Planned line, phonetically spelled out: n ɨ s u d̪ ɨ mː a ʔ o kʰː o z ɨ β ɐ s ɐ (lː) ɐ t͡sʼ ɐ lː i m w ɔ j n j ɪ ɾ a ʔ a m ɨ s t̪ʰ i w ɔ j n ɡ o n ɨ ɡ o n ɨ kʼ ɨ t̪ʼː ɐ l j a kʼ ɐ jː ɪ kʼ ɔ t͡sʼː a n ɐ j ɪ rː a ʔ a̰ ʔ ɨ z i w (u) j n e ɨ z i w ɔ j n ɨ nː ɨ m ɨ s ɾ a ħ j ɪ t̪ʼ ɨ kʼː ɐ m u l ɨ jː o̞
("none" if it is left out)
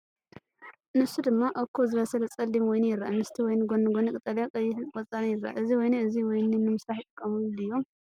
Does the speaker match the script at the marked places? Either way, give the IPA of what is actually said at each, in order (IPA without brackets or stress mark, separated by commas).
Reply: l, ɔ